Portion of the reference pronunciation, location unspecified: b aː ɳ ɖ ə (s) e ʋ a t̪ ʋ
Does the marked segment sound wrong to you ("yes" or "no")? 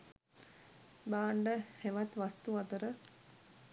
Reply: yes